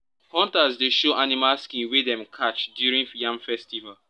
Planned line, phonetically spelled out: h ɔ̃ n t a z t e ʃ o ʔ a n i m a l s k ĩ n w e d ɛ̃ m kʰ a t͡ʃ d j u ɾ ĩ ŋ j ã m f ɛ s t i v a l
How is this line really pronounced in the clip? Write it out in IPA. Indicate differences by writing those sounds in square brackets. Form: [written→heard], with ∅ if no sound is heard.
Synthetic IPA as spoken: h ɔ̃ n t a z [t→d] e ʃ o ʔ a n i m a l s k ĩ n w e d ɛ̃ m kʰ a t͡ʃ d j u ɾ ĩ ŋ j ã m f ɛ s t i v a l